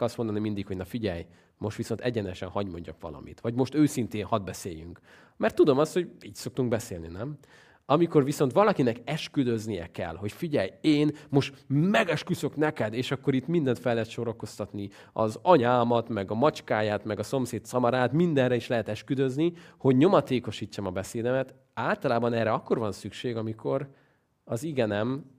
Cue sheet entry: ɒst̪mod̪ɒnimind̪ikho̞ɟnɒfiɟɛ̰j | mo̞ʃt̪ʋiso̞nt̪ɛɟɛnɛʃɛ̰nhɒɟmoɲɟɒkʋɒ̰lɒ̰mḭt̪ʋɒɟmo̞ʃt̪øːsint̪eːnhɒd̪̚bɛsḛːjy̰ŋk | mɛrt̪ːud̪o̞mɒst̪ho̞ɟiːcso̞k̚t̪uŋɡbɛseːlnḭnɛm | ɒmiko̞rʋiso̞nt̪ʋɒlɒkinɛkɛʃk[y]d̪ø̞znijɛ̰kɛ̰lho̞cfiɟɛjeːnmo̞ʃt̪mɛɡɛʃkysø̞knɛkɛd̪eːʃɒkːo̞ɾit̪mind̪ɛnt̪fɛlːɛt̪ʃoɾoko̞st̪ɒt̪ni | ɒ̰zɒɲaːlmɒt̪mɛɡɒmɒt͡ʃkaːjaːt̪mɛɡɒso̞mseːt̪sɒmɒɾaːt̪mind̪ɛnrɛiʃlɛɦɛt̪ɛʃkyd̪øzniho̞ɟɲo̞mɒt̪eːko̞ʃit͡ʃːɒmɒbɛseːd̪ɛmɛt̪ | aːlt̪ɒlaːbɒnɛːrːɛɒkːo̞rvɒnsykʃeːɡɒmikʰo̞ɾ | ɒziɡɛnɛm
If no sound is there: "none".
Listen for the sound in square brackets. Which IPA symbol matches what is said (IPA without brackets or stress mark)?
y